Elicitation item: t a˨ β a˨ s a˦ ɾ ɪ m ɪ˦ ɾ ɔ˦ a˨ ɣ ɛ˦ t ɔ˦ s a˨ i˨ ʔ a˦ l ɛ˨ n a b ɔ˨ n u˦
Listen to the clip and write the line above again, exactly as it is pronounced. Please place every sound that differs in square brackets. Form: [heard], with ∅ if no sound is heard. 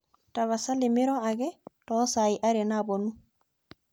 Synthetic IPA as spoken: t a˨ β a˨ s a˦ [l] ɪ m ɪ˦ ɾ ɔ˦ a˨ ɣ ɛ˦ t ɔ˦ s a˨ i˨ ʔ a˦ [ɾ] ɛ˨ n a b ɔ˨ n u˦

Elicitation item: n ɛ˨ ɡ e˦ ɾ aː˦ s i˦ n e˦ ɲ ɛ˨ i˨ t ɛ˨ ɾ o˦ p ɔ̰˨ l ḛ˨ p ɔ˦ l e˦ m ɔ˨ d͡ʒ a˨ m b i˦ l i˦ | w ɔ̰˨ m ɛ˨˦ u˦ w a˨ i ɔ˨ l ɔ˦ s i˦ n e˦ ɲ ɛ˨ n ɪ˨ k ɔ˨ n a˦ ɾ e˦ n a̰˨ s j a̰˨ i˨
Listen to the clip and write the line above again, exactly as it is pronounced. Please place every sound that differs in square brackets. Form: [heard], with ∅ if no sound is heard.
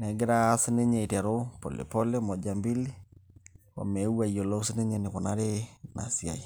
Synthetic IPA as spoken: n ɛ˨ ɡ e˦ ɾ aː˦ s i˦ n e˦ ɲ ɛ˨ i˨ t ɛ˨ ɾ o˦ p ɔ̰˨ l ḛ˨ p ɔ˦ l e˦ m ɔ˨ d͡ʒ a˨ m b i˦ l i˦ | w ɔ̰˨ m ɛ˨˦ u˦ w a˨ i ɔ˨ l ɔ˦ s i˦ n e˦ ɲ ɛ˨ n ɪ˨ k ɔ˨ n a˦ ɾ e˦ n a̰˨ s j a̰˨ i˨

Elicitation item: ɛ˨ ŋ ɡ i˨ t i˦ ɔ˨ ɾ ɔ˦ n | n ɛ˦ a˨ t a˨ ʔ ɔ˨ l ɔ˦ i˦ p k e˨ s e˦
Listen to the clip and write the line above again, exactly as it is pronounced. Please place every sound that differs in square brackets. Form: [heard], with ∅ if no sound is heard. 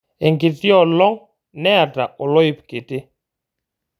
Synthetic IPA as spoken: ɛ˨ ŋ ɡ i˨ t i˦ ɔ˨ [l] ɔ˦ [ŋ] | n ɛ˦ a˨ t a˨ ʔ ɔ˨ l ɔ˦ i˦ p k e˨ [t] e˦

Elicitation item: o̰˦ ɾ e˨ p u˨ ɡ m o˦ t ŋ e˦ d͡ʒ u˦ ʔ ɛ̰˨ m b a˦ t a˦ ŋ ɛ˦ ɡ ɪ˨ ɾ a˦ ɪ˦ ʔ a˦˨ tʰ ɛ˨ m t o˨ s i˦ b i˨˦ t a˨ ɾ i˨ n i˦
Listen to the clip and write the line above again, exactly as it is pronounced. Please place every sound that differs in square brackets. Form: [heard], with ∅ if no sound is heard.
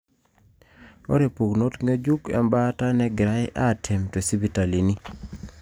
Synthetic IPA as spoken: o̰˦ ɾ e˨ p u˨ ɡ [n] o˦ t ŋ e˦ d͡ʒ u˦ [k] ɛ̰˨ m b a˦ t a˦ [n] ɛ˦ ɡ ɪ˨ ɾ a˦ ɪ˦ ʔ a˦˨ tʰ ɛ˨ m t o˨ s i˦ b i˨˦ t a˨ [l] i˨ n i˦

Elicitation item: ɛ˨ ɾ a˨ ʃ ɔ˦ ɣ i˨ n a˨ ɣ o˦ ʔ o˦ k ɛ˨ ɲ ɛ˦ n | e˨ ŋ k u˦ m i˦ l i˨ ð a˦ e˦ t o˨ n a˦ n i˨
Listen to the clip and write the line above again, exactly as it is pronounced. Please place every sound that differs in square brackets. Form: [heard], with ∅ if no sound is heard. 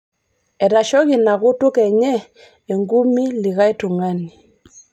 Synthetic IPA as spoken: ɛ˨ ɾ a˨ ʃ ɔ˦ ɣ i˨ n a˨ ɣ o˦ [t] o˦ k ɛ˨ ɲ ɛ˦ [∅] | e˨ ŋ [ɡ] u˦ m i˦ l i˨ [ɣ] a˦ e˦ t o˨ [ŋ] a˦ n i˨

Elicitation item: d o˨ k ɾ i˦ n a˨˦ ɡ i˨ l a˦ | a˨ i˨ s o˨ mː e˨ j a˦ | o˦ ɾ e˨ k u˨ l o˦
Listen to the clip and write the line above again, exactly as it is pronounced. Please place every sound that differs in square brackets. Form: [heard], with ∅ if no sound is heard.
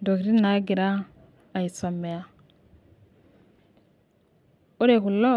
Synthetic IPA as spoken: d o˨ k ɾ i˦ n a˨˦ ɡ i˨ [ɾ] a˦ | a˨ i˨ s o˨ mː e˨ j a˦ | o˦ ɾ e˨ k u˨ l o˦

